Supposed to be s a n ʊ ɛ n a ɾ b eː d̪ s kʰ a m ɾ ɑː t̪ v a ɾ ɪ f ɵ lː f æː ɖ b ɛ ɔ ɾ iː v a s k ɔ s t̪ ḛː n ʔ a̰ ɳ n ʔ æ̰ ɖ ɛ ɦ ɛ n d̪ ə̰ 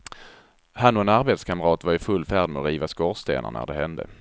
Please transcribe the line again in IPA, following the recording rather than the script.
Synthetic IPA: h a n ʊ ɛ n a ɾ b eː t̪ s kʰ a m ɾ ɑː t̪ v a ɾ ɪ f ɵ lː f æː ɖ m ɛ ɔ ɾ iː v a s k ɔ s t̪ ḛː n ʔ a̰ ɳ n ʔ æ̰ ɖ ɛ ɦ ɛ n d̪ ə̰